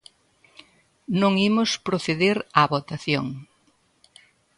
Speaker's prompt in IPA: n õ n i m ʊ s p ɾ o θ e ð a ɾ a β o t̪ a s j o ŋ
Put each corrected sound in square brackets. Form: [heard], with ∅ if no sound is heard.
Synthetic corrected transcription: n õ [ŋ] i m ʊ s p ɾ o θ e ð [e] ɾ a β o t̪ a [θ] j o ŋ

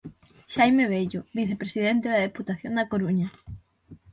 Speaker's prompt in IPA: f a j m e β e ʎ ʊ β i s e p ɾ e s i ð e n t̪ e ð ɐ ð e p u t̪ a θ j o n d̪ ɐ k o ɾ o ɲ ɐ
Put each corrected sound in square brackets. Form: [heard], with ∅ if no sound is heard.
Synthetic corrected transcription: [ʃ] a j m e β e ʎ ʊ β i [θ] e p ɾ e s i ð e n t̪ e ð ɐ ð e p u t̪ a θ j o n d̪ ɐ k o ɾ [u] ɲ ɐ

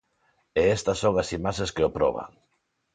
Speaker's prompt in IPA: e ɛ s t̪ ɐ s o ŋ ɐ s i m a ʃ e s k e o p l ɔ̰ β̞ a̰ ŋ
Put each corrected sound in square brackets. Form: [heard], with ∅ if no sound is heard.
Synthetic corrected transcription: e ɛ s t̪ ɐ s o ŋ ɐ s i m a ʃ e s k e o p [ɾ] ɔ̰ β̞ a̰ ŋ

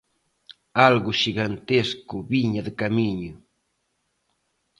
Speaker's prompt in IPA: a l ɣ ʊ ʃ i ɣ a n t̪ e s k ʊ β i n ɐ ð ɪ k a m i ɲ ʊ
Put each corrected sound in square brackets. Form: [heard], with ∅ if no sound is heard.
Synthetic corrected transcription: a l ɣ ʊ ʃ i ɣ a n t̪ e s k ʊ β i [ɲ] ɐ ð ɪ k a m i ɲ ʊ

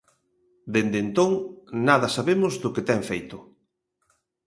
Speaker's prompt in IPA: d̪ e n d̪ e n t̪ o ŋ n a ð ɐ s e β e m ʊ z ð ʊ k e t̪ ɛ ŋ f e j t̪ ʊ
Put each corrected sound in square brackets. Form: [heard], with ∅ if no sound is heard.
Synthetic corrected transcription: d̪ e n d̪ e n t̪ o ŋ n a ð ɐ s [a] β e m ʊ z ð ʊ k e t̪ ɛ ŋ f e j t̪ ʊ

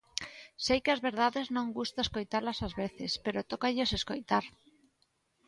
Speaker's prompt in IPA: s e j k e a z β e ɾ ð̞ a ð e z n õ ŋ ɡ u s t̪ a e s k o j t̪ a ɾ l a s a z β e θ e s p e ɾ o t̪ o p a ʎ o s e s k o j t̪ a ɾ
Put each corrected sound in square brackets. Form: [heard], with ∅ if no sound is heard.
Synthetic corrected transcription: s e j k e a z β e ɾ ð̞ a ð e z n õ ŋ ɡ u s t̪ a e s k o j t̪ a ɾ l a s a z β e θ e s p e ɾ o t̪ o [k] a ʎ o s e s k o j t̪ a ɾ

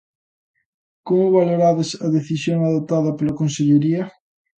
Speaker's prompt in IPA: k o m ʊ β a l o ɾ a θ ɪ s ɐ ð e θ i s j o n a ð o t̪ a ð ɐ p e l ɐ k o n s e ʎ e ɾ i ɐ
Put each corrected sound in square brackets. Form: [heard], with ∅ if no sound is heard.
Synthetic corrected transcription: k o m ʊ β a l o ɾ a [ð] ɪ s ɐ ð e θ i s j o [ŋ] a ð o t̪ a ð ɐ p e l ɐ k o n s e ʎ e ɾ i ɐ

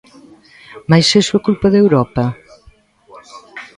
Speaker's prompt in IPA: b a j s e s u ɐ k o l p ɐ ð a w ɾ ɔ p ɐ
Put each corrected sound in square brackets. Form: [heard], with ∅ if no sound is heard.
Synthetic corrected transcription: [m] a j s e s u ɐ k [u] l p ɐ ð [e] w ɾ ɔ p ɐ

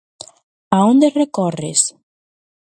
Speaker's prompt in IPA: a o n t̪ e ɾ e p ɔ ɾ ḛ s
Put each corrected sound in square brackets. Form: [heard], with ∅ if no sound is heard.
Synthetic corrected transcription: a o n [d̪] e [r] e [k] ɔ [r] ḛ s

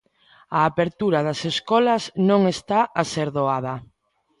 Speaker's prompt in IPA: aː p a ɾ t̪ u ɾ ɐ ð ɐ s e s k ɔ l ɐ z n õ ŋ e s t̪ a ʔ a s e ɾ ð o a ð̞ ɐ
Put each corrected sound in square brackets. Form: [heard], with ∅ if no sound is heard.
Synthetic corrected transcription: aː p [e] ɾ t̪ u ɾ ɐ ð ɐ s e s k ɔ l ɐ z n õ ŋ e s t̪ a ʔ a s e ɾ ð o a ð̞ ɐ

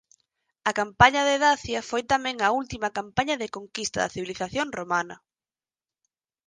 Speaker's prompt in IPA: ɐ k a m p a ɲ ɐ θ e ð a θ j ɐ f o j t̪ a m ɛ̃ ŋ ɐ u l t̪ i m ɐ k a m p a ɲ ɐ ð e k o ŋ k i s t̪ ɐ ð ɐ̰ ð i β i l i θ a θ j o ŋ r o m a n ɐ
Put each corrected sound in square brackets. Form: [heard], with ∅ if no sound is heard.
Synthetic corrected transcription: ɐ k a m p a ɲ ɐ [ð] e ð a θ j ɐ f o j t̪ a m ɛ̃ ŋ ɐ u l t̪ i m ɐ k a m p a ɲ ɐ ð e k o ŋ k i s t̪ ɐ ð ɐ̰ [θ] i β i l i θ a θ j o ŋ r o m a n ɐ

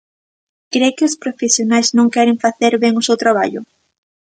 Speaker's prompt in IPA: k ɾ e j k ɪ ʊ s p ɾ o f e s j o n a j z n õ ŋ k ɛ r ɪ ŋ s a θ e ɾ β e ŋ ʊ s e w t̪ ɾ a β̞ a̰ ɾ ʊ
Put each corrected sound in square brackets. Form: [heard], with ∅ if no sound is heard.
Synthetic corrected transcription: k ɾ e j k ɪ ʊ s p ɾ o f e s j o n a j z n õ ŋ k ɛ [ɾ] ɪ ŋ [f] a θ e ɾ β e ŋ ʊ s e w t̪ ɾ a β̞ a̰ [ʎ] ʊ

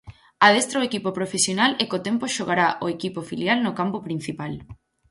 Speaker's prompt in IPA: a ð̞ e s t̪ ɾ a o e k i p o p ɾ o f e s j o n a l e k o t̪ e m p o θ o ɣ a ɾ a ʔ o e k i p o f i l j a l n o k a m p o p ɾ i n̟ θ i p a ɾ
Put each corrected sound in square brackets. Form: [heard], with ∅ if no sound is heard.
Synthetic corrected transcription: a ð̞ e s t̪ ɾ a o e k i p o p ɾ o f e s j o n a l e k o t̪ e m p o [ʃ] o ɣ a ɾ a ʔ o e k i p o f i l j a l n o k a m p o p ɾ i n̟ θ i p a [l]

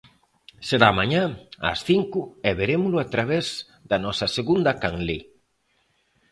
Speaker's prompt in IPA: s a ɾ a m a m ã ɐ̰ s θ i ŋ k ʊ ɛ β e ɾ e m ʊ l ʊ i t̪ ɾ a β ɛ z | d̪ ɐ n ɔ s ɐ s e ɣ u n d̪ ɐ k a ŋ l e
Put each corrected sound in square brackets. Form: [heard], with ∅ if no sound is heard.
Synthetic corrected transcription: s [e] ɾ a m a [ɲ] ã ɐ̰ s θ i ŋ k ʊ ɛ β e ɾ e m ʊ l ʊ [a] t̪ ɾ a β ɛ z | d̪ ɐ n ɔ s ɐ s e ɣ u n d̪ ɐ k a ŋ l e

